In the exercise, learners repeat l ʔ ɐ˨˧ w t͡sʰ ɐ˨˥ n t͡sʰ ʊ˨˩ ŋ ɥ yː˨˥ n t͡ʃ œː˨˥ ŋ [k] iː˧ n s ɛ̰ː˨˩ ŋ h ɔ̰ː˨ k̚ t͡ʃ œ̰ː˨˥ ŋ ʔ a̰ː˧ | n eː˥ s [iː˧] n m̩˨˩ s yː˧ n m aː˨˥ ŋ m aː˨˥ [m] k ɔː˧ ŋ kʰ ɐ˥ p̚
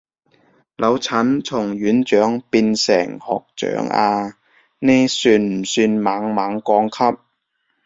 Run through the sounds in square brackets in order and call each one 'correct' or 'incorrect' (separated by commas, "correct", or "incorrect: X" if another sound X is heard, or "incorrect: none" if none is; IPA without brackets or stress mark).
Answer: incorrect: p, incorrect: yː˧, incorrect: ŋ